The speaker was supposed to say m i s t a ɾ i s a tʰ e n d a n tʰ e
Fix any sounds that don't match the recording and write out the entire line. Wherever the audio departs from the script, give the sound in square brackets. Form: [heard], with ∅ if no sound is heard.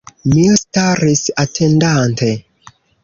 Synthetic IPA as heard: m i s t a ɾ i s a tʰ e n d a n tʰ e